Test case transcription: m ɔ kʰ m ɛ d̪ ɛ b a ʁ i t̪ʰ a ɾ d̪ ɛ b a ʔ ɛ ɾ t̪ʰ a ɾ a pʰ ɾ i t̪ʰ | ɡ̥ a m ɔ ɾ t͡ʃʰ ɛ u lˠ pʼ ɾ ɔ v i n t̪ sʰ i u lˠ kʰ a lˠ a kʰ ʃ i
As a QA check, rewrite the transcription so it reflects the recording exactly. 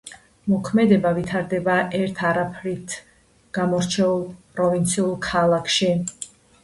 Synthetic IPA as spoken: m ɔ kʰ m ɛ d̪ ɛ b a v i t̪ʰ a ɾ d̪ ɛ b a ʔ ɛ ɾ t̪ʰ a ɾ a pʰ ɾ i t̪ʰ | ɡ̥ a m ɔ ɾ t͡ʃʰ ɛ u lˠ pʼ ɾ ɔ v i n t̪ sʰ i u lˠ kʰ a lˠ a kʰ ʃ i

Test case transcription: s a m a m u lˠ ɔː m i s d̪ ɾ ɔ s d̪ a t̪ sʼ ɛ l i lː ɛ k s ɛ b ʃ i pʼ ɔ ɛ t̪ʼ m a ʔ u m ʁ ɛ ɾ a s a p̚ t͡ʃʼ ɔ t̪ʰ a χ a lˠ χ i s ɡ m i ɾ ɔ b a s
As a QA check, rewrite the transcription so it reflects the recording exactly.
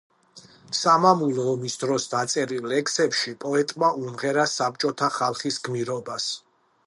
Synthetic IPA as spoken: s a m a m u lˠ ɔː m i s d̪ ɾ ɔ s d̪ a t̪ sʼ ɛ ɾ i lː ɛ k s ɛ p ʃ i pʼ ɔ ɛ t̪ʼ m a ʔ u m ʁ ɛ ɾ a s a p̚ t͡ʃʼ ɔ t̪ʰ a χ a lˠ χ i s ɡ m i ɾ ɔ b a s

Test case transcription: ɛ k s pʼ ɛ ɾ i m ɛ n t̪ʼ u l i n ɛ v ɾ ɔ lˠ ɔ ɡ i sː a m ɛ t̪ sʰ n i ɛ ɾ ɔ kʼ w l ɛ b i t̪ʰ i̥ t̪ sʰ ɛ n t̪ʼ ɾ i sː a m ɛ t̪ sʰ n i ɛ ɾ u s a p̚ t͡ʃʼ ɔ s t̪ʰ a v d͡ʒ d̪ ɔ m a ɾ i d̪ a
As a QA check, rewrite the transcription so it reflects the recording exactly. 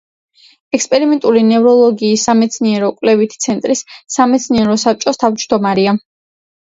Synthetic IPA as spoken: ɛ k s pʼ ɛ ɾ i m ɛ n t̪ʼ u l i n ɛ v ɾ ɔ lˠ ɔ ɡ iː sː a m ɛ t̪ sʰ n i ɛ ɾ ɔ kʼ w l ɛ v i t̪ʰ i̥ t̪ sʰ ɛ n t̪ʼ ɾ i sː a m ɛ t̪ sʰ n i ɛ ɾ ɔ s a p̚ t͡ʃʼ ɔ s t̪ʰ a v d͡ʒ d̪ ɔ m a ɾ i a

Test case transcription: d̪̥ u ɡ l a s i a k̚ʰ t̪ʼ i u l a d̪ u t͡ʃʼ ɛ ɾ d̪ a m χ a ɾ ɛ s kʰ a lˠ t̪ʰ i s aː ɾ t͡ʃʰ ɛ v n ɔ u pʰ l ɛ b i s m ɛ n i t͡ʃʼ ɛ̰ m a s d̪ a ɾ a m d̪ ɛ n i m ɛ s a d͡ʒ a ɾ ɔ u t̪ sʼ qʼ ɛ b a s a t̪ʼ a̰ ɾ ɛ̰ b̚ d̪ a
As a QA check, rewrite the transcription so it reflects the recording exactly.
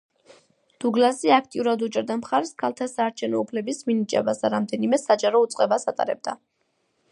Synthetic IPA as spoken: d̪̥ u ɡ l a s i a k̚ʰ t̪ʼ i u ɾ a d̪ u t͡ʃʼ ɛ ɾ d̪ a m χ a ɾ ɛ s kʰ a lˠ t̪ʰ a s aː ɾ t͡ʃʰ ɛ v n ɔ u pʰ l ɛ b i s m i n i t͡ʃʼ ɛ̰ b a s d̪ a ɾ a m d̪ ɛ n i m ɛ s a d͡ʒ a ɾ ɔ u t̪ sʼ qʼ ɛ b a s a t̪ʼ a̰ ɾ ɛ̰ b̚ d̪ a

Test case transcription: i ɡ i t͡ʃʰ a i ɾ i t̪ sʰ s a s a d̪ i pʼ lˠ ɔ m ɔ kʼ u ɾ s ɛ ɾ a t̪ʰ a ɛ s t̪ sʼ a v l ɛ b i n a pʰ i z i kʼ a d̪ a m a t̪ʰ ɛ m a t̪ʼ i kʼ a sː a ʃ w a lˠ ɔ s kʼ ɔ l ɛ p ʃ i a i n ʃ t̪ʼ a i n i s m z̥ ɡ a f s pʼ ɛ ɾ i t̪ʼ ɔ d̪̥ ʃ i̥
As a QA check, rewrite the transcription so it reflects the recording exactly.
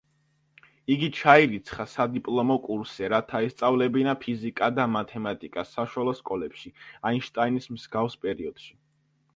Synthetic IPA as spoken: i ɡ i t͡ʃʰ a i ɾ i t̪ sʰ χ a s a d̪ i pʼ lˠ ɔ m ɔ kʼ u ɾ s ɛ ɾ a t̪ʰ a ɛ s t̪ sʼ a v l ɛ b i n a pʰ i z i kʼ a d̪ a m a t̪ʰ ɛ m a t̪ʼ i kʼ a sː a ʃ w a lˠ ɔ s kʼ ɔ l ɛ p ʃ i a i n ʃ t̪ʼ a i n i s m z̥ ɡ a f s pʼ ɛ ɾ i ɔ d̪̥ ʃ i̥

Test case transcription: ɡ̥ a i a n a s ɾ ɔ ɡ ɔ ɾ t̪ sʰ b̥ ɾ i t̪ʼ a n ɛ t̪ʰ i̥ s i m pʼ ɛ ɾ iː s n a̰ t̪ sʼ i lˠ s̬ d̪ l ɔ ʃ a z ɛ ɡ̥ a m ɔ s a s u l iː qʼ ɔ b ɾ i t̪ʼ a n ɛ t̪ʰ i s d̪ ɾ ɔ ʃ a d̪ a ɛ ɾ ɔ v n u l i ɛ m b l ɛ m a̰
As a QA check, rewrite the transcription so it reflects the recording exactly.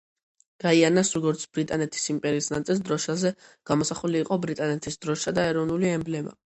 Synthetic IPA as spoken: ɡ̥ a i a n a s ɾ ɔ ɡ ɔ ɾ t̪ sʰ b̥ ɾ i t̪ʼ a n ɛ t̪ʰ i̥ s i m pʼ ɛ ɾ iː s n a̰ t̪ sʼ i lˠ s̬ d̪ ɾ ɔ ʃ a z ɛ ɡ̥ a m ɔ s a χ u l iː qʼ ɔ b ɾ i t̪ʼ a n ɛ t̪ʰ i s d̪ ɾ ɔ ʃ a d̪ a ɛ ɾ ɔ v n u l i ɛ m b l ɛ m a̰

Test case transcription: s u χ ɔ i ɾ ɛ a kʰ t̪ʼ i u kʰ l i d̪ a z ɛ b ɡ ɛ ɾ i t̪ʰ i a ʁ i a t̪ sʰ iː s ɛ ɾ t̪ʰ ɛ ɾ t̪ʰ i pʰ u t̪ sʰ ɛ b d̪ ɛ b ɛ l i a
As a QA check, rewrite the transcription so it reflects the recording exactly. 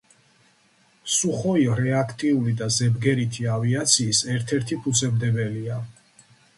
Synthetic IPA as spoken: s u χ ɔ i ɾ ɛ a kʰ t̪ʼ i u l i d̪ a z ɛ b ɡ ɛ ɾ i t̪ʰ i a v i a t̪ sʰ iː s ɛ ɾ t̪ʰ ɛ ɾ t̪ʰ i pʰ u t̪ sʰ ɛ b d̪ ɛ b ɛ l i a

